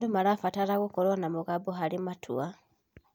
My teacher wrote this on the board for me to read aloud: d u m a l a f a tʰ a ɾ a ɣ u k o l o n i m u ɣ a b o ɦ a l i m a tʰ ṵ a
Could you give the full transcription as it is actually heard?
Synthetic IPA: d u m a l a f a t a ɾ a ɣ u k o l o n a m u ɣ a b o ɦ a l i m a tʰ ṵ a